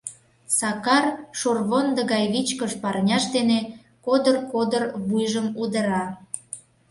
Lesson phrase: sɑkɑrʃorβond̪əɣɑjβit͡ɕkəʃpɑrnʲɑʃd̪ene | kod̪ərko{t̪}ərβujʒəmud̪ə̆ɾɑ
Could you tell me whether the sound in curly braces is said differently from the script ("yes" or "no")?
yes